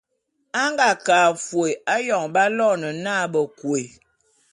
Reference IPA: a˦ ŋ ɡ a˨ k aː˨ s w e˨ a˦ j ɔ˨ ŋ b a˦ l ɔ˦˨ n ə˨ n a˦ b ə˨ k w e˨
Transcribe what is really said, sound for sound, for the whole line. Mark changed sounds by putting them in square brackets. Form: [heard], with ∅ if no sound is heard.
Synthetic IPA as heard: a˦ ŋ ɡ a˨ k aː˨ [f] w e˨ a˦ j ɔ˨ ŋ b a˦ l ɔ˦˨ n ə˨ n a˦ b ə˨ k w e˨